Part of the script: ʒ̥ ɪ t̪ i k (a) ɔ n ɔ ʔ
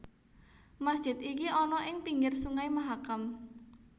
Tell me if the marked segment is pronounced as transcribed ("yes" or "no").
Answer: no